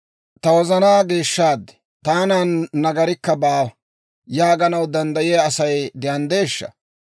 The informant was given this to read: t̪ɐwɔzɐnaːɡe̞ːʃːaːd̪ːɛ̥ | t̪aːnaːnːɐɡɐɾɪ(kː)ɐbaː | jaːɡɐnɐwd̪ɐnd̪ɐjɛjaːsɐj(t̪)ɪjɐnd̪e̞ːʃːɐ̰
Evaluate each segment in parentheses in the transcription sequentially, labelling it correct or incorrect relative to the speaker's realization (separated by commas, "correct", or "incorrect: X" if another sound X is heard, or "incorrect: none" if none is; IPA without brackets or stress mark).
correct, incorrect: d̪